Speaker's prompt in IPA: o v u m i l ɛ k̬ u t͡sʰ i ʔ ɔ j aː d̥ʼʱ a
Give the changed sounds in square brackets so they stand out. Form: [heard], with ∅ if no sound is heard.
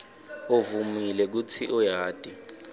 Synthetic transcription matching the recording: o v u m i l ɛ k̬ u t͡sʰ i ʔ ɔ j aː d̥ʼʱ [i]